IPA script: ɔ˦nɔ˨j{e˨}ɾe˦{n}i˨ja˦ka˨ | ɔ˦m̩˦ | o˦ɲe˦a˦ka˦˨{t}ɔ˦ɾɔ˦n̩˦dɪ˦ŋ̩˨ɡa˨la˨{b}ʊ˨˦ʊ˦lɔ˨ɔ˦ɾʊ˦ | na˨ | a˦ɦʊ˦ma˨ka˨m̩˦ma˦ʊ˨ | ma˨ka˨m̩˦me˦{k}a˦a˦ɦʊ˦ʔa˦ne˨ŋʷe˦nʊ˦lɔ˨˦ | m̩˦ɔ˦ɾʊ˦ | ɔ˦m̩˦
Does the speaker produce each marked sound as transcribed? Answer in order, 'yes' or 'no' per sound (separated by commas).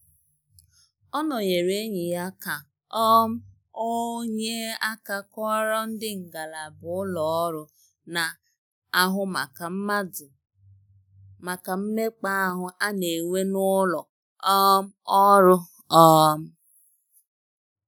yes, no, no, yes, no